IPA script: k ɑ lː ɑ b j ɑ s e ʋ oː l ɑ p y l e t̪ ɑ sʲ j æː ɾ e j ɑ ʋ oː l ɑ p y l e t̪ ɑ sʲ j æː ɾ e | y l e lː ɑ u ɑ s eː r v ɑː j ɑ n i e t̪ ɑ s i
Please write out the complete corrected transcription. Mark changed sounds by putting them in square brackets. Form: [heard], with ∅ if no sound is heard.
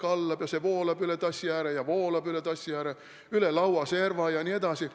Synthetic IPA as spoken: k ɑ lː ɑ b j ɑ s e ʋ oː l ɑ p y l e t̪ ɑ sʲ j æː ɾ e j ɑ ʋ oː l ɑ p y l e t̪ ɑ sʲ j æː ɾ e | y l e [l] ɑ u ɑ s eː r [ʋ] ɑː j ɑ n i e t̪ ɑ s i